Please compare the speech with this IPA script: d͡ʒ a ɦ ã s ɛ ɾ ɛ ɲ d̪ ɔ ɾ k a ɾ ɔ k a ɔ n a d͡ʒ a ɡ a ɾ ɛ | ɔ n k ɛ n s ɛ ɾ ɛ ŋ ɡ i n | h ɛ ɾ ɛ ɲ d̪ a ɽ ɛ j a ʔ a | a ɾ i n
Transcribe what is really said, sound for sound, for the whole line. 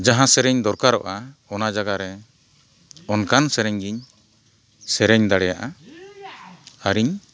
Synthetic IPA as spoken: d͡ʒ a ɦ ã s ɛ ɾ ɛ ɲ d̪ ɔ ɾ k a ɾ ɔ ʔ a ɔ n a d͡ʒ a ɡ a ɾ ɛ | ɔ n k a n s ɛ ɾ ɛ ɲ ɡ i ɲ | s ɛ ɾ ɛ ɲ d̪ a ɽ ɛ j a ʔ a | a ɾ i ɲ